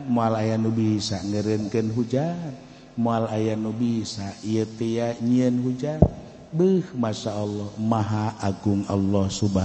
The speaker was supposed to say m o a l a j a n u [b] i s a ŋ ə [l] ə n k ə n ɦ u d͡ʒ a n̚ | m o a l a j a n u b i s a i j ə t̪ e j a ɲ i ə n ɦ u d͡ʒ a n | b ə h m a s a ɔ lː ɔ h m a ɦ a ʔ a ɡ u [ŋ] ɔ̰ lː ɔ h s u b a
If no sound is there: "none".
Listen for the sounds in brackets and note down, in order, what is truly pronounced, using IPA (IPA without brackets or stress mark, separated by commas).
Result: b, ɾ, ŋ